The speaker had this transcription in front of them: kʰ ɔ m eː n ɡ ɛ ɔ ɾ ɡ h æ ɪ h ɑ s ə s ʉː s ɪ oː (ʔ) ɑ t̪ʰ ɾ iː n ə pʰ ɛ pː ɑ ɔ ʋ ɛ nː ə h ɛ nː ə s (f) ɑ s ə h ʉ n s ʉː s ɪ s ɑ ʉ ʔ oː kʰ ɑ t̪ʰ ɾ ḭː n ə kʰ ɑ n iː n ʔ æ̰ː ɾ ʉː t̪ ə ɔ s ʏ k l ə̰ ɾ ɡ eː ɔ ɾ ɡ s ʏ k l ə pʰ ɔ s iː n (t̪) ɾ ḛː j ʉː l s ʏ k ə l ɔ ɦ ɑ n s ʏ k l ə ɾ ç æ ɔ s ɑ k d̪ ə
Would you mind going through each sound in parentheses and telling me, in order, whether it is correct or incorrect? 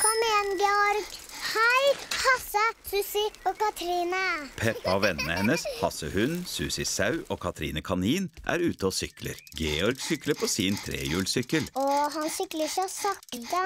incorrect: k, incorrect: h, incorrect: t̪ʰ

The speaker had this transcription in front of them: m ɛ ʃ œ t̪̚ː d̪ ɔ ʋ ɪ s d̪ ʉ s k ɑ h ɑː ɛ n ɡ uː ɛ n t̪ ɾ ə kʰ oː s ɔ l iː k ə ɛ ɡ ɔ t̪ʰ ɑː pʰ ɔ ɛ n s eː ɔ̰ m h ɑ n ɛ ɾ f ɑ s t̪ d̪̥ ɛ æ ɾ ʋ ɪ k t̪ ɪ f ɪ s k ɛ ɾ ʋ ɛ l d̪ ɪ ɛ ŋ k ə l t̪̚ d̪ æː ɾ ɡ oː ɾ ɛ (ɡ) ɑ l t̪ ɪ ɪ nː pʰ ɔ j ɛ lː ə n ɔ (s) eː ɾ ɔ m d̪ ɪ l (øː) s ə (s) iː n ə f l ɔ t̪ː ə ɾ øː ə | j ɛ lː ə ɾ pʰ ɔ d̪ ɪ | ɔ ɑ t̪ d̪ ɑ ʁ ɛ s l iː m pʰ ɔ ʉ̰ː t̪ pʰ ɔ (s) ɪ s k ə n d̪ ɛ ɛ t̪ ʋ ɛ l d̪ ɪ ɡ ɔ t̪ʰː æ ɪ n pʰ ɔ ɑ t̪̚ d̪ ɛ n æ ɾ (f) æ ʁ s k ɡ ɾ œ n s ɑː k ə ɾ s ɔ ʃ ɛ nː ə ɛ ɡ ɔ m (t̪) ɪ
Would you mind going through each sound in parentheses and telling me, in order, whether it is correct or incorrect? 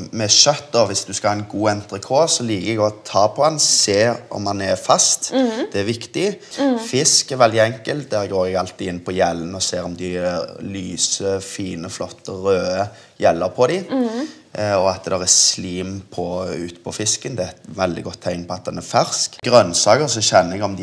correct, correct, incorrect: yː, incorrect: f, incorrect: f, correct, incorrect: d̪

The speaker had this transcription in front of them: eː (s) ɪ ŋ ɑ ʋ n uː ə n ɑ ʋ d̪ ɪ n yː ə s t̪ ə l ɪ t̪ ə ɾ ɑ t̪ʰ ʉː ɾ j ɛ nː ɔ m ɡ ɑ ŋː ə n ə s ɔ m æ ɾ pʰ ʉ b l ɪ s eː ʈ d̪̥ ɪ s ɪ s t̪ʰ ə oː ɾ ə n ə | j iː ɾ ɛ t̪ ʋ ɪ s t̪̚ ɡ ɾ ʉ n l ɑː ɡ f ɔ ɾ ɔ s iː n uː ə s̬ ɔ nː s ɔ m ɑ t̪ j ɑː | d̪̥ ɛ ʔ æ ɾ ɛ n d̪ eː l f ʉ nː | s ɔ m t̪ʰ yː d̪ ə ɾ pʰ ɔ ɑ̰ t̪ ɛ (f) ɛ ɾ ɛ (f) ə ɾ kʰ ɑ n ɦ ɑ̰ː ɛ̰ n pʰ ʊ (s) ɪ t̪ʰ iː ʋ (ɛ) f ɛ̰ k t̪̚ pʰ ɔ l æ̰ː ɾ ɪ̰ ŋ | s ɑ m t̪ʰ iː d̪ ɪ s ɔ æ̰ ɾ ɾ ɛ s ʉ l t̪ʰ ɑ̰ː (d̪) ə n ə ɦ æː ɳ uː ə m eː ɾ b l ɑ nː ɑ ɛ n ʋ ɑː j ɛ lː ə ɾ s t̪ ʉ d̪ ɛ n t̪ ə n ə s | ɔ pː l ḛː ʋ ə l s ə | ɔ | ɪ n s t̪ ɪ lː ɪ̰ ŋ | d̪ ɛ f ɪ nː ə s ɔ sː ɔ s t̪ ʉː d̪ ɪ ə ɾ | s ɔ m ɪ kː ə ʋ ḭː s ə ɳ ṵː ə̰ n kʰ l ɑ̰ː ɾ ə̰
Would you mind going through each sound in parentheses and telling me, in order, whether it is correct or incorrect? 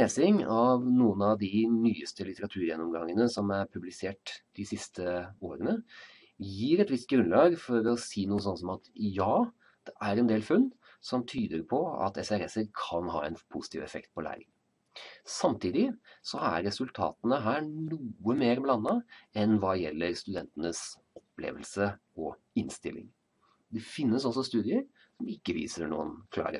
correct, incorrect: s, incorrect: s, correct, correct, incorrect: t̪

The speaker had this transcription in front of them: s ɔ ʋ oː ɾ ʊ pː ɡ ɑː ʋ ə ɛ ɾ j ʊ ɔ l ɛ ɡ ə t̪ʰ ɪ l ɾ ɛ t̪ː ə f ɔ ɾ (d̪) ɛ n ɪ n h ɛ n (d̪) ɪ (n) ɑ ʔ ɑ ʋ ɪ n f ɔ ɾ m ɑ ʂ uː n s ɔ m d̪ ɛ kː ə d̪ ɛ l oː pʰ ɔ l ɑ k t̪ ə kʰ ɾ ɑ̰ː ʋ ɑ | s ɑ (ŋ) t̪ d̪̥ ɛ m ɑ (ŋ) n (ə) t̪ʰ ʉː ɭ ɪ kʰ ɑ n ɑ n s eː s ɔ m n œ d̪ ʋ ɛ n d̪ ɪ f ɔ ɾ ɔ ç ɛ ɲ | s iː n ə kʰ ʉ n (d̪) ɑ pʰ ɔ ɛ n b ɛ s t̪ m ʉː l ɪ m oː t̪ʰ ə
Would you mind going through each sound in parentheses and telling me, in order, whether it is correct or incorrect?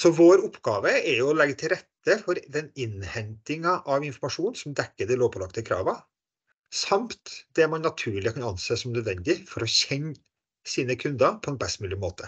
correct, incorrect: t̪, incorrect: ŋ, incorrect: m, incorrect: n, incorrect: ɑ, correct

